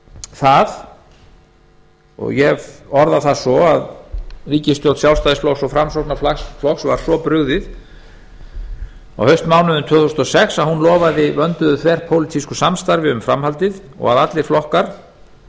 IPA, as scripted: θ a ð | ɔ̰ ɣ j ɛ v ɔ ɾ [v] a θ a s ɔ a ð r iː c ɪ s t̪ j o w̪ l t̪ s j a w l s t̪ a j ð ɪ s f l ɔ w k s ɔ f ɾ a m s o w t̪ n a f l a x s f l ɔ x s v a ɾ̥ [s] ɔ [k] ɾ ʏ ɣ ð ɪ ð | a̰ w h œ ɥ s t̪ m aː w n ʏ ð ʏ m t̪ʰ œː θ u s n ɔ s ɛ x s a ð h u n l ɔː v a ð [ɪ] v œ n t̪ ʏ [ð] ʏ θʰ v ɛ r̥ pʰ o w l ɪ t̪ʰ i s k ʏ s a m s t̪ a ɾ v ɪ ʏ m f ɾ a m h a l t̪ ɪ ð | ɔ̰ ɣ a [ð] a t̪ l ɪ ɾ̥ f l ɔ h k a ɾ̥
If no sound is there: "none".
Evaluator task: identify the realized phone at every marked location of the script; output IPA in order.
ð, s, p, ɪ, ð, ð

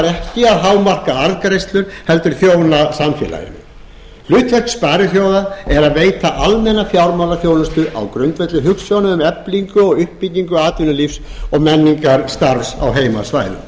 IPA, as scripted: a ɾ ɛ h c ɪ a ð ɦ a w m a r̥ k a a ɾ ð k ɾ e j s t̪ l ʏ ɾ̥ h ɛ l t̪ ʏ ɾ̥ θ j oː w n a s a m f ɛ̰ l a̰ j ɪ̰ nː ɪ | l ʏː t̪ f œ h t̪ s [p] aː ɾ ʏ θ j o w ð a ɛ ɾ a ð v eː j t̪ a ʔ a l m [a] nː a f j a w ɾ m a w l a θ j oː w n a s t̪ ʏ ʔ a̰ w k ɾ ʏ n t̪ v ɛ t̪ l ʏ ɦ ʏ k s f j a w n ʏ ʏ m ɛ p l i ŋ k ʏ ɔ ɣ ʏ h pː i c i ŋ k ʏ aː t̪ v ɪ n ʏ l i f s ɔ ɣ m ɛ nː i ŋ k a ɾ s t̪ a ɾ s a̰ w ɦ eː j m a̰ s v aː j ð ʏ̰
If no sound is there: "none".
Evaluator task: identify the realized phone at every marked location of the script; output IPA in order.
p, ɛ

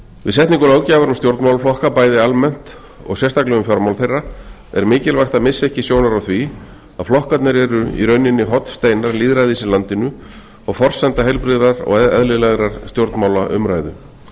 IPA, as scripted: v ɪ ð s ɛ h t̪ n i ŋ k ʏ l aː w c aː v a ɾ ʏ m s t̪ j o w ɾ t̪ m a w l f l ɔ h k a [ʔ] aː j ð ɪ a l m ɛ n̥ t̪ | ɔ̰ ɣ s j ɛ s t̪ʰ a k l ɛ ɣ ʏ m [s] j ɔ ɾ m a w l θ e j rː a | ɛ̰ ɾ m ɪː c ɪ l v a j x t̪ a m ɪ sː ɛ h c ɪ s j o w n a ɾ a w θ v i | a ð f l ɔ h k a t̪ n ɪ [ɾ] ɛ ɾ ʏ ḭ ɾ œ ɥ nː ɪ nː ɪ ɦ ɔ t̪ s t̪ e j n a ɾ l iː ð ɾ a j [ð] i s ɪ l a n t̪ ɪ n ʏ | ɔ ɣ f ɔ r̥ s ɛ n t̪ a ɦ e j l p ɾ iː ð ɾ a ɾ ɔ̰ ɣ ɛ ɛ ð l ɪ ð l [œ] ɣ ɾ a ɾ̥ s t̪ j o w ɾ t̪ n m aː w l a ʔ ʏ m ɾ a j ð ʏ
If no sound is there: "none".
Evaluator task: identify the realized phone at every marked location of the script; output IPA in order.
p, f, ɾ, ð, ɛ

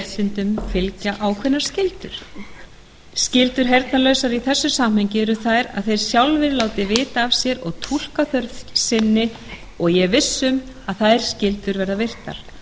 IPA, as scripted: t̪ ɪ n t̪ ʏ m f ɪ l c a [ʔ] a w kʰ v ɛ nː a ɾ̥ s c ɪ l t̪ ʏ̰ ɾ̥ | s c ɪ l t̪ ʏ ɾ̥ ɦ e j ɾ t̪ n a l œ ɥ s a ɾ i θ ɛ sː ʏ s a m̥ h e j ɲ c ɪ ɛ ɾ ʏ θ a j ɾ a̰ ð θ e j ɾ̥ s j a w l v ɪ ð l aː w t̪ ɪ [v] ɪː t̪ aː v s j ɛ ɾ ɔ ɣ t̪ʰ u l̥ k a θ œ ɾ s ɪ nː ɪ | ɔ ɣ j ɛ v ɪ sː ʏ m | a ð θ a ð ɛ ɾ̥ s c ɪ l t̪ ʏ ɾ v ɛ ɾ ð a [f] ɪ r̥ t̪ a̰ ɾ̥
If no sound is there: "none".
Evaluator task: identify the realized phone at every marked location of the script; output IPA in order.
ʔ, v, v

